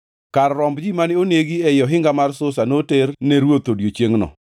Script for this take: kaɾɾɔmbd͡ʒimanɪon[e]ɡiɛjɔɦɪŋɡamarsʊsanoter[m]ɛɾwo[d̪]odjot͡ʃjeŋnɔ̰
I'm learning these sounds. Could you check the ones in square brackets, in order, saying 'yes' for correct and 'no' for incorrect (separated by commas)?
yes, no, no